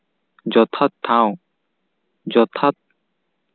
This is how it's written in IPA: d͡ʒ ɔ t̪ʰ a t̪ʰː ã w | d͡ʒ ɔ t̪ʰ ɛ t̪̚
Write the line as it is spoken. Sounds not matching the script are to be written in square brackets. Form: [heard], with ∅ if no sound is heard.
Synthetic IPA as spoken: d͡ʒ ɔ t̪ʰ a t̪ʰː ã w | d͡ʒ ɔ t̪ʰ [a] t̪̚